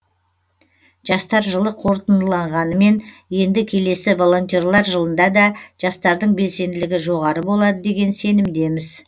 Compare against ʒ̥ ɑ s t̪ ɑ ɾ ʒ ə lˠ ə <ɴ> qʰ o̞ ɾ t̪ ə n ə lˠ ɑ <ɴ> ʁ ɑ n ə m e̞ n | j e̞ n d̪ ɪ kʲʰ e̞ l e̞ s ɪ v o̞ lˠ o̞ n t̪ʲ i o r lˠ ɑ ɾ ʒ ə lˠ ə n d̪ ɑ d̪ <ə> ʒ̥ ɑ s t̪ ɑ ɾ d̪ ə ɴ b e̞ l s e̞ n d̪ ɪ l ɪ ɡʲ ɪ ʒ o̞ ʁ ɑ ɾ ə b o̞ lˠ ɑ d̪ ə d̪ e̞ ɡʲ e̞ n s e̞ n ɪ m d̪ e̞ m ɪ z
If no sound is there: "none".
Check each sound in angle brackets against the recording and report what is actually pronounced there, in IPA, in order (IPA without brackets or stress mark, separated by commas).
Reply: none, ɴ, ɑ